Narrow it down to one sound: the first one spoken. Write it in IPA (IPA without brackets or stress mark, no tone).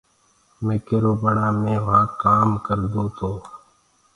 m